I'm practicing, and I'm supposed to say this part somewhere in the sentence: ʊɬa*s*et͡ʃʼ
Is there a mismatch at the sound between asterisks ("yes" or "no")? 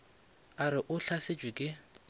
no